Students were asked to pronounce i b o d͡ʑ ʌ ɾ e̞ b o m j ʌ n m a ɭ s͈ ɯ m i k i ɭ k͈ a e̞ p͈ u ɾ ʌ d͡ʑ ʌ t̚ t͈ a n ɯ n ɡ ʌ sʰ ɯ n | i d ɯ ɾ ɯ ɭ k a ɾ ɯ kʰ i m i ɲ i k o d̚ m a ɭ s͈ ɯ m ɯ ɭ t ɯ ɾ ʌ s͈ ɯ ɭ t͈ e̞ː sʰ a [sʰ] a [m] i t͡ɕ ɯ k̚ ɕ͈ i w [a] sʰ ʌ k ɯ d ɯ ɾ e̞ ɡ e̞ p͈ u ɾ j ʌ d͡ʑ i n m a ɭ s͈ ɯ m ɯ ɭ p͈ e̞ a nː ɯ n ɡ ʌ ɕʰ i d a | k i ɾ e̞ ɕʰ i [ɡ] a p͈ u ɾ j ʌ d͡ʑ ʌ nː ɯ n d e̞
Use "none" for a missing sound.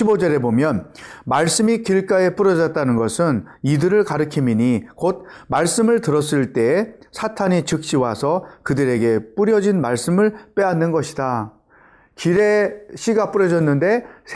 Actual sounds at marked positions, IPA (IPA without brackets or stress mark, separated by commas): tʰ, ɲ, a, ɡ